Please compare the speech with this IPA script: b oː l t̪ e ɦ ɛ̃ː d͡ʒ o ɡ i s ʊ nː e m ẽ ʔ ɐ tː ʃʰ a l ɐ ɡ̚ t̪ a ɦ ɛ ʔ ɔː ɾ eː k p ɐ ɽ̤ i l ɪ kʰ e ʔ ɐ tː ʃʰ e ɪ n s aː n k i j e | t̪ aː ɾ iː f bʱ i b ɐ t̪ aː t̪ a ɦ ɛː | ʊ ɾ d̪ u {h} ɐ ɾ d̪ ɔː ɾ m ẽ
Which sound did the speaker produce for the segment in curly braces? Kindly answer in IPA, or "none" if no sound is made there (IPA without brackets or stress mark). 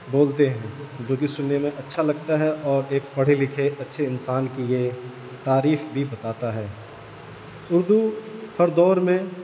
h